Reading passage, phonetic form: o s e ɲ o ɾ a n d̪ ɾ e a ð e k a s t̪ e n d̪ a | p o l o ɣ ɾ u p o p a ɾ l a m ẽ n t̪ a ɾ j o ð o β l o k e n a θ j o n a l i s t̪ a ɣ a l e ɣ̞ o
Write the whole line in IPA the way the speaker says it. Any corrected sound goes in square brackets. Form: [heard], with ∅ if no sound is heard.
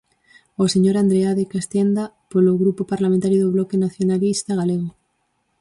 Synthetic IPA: o s e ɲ o ɾ a n d̪ ɾ e a ð e k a s t̪ e n d̪ a | p o l o ɣ ɾ u p o p a ɾ l a m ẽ n t̪ a ɾ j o ð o β l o k e n a θ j o n a l i s t̪ a ɣ a l e ɣ̞ o